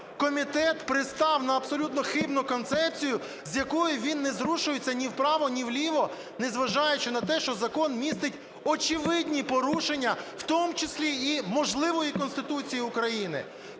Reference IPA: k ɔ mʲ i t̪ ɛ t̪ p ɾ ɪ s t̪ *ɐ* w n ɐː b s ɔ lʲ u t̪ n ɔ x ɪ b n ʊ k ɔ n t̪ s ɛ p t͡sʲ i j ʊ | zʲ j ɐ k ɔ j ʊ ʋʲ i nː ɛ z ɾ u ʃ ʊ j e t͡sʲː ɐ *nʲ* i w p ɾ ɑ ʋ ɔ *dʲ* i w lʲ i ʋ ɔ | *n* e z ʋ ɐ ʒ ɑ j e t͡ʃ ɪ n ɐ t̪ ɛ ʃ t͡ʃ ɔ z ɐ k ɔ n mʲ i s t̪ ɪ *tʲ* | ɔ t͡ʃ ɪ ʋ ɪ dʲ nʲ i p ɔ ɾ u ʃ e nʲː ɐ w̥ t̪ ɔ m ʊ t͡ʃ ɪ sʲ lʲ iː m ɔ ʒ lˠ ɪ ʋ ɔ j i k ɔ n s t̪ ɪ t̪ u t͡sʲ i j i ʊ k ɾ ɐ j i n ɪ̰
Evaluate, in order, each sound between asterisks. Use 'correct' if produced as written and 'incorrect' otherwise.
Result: incorrect, correct, incorrect, correct, correct

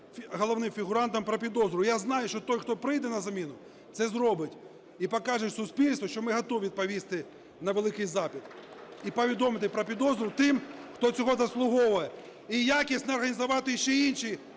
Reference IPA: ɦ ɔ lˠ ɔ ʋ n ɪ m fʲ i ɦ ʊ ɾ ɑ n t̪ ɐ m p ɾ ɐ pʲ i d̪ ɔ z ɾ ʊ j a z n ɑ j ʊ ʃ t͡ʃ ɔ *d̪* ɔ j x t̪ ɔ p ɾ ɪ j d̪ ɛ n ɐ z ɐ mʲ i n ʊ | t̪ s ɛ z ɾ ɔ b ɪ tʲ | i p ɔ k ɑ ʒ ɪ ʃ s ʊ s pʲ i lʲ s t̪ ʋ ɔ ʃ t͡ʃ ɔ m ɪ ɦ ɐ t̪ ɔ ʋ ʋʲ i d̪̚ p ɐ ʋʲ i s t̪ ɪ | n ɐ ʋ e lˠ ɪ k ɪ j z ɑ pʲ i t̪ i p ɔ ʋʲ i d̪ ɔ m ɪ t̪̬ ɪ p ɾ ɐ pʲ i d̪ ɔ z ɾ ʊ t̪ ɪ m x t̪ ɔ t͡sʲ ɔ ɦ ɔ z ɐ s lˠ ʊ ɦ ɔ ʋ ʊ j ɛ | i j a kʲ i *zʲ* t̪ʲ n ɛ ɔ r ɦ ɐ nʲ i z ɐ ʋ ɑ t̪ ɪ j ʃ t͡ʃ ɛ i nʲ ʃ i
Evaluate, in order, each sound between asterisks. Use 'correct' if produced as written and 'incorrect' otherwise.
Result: incorrect, incorrect

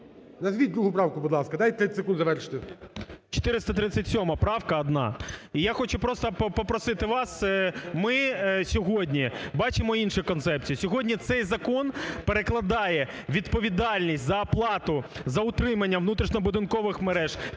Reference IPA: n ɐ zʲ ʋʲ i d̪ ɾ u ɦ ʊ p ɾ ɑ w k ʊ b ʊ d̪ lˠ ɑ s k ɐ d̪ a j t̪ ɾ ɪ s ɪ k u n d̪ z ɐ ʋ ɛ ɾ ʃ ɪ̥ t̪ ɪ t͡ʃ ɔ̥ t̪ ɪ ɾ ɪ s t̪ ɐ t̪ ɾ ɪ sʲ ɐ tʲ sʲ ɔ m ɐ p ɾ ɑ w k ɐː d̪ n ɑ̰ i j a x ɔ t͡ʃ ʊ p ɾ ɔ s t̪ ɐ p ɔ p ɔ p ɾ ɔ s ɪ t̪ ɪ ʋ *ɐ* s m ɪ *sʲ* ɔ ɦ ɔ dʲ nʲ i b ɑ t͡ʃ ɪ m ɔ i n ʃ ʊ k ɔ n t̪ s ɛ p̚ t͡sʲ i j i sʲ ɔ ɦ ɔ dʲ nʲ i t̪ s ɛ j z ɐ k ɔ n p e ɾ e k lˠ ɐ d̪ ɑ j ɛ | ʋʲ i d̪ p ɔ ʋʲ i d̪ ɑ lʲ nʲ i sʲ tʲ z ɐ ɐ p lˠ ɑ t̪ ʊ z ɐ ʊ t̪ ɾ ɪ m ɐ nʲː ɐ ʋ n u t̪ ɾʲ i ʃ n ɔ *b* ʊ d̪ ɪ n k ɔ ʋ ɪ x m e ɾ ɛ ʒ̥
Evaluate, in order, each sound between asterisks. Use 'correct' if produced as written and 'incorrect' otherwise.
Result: incorrect, correct, correct

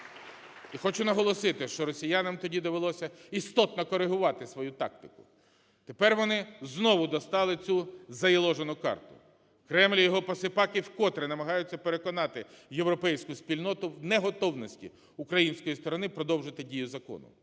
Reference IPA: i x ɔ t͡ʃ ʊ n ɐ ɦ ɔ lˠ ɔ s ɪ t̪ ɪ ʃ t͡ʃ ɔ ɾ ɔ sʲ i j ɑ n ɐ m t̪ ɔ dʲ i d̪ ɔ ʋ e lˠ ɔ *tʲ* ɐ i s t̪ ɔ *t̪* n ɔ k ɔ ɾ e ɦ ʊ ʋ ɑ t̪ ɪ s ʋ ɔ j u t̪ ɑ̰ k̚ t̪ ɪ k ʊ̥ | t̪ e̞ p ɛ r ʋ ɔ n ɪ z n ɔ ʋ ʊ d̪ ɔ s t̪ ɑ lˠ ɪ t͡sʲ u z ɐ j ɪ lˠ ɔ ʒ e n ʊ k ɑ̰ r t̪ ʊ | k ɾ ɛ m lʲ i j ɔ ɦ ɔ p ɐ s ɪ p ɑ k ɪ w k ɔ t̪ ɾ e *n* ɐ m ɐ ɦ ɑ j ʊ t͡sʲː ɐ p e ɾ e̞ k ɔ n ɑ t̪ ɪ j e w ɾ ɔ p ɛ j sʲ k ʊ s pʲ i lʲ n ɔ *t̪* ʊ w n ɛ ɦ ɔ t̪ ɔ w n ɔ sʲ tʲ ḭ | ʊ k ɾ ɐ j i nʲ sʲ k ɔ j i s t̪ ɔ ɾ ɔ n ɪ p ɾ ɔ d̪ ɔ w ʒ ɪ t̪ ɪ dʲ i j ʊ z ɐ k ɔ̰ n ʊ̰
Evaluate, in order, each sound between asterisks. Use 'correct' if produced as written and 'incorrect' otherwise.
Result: incorrect, correct, correct, correct

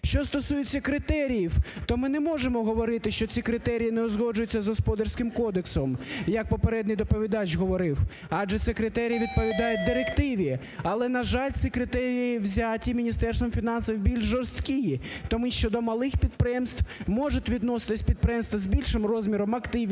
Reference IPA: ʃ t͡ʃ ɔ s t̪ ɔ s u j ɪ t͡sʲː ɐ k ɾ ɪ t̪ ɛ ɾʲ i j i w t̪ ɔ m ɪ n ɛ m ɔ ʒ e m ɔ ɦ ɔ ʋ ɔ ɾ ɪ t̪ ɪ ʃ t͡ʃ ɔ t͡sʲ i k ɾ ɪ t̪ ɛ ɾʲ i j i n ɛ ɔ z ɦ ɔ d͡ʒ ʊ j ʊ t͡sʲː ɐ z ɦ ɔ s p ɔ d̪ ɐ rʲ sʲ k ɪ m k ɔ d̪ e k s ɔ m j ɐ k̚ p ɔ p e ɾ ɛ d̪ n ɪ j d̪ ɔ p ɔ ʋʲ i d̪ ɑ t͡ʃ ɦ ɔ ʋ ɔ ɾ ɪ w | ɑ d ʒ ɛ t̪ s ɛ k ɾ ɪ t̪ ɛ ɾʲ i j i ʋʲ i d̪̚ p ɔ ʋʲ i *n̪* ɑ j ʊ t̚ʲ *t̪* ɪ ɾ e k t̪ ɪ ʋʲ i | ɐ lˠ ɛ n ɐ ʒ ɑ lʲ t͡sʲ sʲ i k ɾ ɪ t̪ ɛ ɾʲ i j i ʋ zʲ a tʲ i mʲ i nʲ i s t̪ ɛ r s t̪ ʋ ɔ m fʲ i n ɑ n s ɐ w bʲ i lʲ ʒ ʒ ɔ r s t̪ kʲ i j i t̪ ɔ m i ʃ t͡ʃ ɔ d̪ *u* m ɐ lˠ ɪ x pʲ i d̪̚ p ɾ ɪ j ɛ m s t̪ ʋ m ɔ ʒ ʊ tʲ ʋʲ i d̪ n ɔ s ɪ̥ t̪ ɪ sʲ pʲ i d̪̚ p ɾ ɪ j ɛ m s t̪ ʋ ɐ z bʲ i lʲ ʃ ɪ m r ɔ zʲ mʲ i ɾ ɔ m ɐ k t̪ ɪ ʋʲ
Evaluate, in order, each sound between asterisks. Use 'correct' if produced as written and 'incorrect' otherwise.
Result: incorrect, incorrect, incorrect

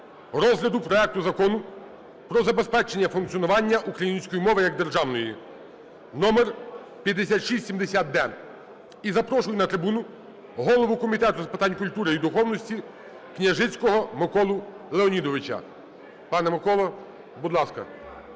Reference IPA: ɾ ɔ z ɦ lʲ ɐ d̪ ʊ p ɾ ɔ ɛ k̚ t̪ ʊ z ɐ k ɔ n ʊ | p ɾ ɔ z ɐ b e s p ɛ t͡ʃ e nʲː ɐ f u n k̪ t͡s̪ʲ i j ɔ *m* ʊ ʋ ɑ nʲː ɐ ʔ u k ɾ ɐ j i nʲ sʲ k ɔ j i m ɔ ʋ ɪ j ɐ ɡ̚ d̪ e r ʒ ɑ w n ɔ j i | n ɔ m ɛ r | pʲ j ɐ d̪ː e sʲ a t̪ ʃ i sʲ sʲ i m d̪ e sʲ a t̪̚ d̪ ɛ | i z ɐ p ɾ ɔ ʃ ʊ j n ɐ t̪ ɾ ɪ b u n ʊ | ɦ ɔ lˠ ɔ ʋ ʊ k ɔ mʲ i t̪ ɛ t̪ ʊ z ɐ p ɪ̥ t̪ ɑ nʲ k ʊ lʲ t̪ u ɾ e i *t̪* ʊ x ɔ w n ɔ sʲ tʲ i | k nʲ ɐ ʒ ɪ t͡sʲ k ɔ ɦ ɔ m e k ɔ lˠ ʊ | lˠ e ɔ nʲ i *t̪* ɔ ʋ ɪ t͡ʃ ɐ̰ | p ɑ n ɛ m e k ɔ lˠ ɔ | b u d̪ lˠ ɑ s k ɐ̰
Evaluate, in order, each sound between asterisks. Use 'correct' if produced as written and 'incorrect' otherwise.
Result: incorrect, incorrect, incorrect

